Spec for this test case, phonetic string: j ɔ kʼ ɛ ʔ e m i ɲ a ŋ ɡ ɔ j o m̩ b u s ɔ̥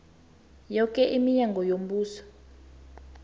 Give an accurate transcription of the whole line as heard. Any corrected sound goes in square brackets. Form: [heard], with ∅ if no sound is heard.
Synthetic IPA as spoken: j ɔ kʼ ɛ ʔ [i] m i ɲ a ŋ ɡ ɔ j o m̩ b [uː] s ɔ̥

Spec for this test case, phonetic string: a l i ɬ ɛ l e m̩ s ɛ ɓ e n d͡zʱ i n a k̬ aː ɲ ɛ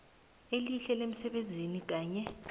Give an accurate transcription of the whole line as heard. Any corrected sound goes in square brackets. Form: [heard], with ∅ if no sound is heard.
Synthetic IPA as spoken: [e] l i ɬ ɛ l e m̩ s ɛ ɓ e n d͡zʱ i n [i] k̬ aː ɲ ɛ

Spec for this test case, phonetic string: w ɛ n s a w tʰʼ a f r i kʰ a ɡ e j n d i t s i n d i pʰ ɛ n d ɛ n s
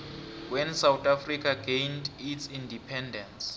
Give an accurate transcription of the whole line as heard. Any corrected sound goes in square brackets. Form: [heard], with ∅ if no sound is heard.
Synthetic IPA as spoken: w ɛ n s a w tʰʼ a f r i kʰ a ɡ e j n d i t s i n d i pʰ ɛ n d ɛ n s

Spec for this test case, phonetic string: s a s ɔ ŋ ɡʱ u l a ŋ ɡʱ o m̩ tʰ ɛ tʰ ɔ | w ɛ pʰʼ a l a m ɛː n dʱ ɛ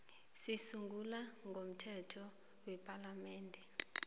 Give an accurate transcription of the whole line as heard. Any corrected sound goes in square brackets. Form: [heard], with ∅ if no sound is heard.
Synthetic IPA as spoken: s [i] s [u] ŋ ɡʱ u l a ŋ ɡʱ o m̩ tʰ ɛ tʰ ɔ | w ɛ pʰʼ a l a m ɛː n dʱ ɛ

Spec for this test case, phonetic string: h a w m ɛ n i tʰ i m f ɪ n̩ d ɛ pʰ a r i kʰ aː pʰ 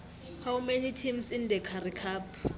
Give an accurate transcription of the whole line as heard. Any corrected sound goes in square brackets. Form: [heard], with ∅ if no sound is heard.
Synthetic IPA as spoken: h a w m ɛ n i tʰ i m [s] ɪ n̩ d ɛ [kʰ] a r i kʰ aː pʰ

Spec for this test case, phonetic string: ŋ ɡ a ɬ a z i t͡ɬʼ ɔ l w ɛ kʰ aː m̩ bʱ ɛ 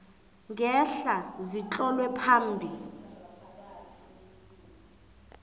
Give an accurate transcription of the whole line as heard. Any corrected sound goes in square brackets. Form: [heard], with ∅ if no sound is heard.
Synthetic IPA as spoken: ŋ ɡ [ɛ] ɬ a z i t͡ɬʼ ɔ l w ɛ [pʰ] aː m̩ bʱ [i]

